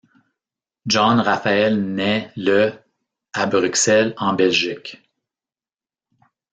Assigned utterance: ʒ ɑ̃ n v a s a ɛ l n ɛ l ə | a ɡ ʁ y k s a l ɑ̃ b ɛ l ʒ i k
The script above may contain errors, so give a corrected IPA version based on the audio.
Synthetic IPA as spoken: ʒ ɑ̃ n ʁ a f a ɛ l n ɛ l ə | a b ʁ y k s ɛ l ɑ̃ b ɛ l ʒ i k